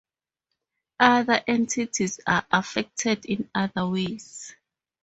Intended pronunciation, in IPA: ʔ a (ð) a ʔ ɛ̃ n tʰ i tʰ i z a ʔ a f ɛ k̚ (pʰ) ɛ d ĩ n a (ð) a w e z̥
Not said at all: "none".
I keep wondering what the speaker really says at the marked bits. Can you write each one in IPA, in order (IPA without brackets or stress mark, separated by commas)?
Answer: ð, tʰ, ð